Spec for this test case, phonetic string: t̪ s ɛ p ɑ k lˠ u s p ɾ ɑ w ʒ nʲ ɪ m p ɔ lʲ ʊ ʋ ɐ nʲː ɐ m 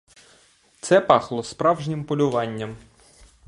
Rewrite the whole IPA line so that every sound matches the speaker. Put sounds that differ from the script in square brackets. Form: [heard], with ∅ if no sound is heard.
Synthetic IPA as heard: t̪ s ɛ p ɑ [x] lˠ [ɔ] s p ɾ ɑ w ʒ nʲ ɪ m p ɔ lʲ ʊ ʋ [ɑ] nʲː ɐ m

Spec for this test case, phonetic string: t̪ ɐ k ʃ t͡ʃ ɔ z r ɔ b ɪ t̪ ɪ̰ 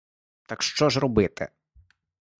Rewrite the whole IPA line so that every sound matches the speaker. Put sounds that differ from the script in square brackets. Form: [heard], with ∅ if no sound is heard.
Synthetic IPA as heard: t̪ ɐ k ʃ t͡ʃ ɔ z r ɔ b ɪ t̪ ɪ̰

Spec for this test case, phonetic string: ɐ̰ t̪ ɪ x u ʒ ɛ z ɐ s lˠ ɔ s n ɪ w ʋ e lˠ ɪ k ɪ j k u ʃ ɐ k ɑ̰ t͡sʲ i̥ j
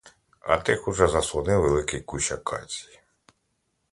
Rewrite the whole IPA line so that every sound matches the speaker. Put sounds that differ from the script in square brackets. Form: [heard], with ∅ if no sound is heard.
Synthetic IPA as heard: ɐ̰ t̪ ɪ x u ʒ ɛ z ɐ s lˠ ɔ [∅] n ɪ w ʋ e lˠ ɪ k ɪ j k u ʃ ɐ k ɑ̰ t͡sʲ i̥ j

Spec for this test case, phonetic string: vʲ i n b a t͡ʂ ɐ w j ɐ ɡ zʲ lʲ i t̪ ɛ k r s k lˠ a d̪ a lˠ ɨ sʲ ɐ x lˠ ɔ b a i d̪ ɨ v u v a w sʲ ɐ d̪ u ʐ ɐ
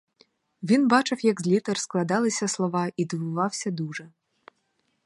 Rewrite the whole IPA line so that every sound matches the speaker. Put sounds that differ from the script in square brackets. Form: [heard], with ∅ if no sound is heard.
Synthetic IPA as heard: vʲ i n b a t͡ʂ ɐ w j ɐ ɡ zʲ lʲ i t̪ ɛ [∅] r s k lˠ a d̪ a lˠ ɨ sʲ ɐ [s] lˠ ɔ [v] a i d̪ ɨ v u v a w sʲ ɐ d̪ u ʐ ɐ

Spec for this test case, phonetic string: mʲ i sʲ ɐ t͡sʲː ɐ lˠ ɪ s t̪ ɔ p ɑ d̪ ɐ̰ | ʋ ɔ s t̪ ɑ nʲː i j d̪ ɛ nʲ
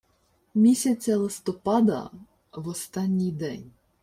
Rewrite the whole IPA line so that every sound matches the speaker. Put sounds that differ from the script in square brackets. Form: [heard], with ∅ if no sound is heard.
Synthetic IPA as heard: mʲ i sʲ ɐ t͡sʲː ɐ lˠ ɪ s t̪ ɔ p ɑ d̪ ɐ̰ | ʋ ɔ s t̪ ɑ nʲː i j d̪ ɛ nʲ

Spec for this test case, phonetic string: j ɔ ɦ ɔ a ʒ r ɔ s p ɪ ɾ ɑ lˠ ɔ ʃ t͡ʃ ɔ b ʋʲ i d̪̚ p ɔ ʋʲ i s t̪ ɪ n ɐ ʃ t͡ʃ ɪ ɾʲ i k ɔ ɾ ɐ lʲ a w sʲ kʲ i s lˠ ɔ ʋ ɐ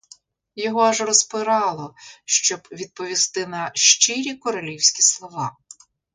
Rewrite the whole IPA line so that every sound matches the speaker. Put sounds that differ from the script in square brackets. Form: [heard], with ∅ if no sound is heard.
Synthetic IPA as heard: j ɔ ɦ ɔ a ʒ r ɔ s p ɪ ɾ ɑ lˠ ɔ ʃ t͡ʃ ɔ b ʋʲ i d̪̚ p ɔ ʋʲ i s t̪ ɪ n ɐ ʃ t͡ʃ ɪ ɾʲ i k ɔ ɾ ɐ lʲ [i] w sʲ kʲ i s lˠ ɔ ʋ [ɑ]

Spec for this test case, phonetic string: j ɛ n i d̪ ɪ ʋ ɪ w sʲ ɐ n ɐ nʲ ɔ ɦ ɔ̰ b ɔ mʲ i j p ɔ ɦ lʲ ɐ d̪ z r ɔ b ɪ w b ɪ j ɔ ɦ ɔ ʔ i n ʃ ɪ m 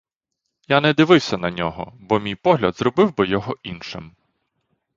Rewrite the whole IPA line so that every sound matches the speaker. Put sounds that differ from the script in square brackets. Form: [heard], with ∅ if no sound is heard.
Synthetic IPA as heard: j [a] n [ɛ] d̪ ɪ ʋ ɪ w sʲ ɐ n ɐ nʲ ɔ ɦ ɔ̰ b ɔ mʲ i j p ɔ ɦ lʲ ɐ d̪ z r ɔ b ɪ w b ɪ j ɔ ɦ ɔ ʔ i n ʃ ɪ m

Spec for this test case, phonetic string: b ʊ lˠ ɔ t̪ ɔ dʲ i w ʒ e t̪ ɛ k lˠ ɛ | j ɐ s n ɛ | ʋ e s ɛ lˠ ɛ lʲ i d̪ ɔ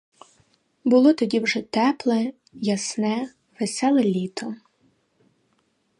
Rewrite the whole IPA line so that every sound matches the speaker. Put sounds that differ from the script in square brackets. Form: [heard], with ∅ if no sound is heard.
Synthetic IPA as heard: b ʊ lˠ ɔ t̪ ɔ dʲ i w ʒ [ɛ] t̪ ɛ [p] lˠ ɛ | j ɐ s n ɛ | ʋ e s ɛ lˠ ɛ lʲ i [t̪] ɔ

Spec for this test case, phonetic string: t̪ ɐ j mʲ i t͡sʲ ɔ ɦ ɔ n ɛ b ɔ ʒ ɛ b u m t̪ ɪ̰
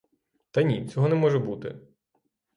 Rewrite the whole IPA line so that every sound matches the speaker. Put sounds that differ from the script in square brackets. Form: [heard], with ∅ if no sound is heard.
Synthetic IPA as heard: t̪ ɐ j [nʲ] i t͡sʲ ɔ ɦ ɔ n ɛ [m] ɔ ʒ ɛ b u [∅] t̪ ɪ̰

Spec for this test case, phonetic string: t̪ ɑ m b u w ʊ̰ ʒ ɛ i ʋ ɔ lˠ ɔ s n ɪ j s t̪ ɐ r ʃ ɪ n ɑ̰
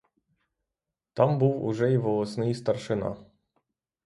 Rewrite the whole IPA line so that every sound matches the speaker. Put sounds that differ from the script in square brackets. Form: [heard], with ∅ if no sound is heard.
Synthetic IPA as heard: t̪ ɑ m b u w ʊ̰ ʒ ɛ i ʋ ɔ lˠ ɔ s n ɪ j s t̪ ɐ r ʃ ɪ n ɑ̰

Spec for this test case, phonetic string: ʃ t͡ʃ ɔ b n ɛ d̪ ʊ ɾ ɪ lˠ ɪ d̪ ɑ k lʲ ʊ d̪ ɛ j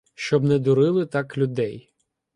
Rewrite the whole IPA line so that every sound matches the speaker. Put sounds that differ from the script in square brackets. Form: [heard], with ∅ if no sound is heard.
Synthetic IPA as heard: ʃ t͡ʃ ɔ b n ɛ d̪ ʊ ɾ ɪ lˠ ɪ [t̪] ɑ k lʲ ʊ d̪ ɛ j

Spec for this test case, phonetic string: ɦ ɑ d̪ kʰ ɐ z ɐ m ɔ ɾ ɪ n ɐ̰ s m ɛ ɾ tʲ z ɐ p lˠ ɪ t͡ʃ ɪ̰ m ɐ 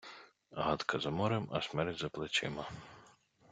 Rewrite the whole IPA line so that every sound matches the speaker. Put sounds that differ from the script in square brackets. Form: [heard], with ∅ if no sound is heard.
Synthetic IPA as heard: ɦ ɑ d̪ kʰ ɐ z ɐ m ɔ ɾ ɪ [m] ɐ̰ s m ɛ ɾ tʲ z ɐ p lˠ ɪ t͡ʃ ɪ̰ m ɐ

